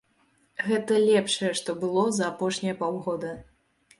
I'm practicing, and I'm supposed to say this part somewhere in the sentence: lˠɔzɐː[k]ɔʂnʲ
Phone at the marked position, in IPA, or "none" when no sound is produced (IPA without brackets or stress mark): p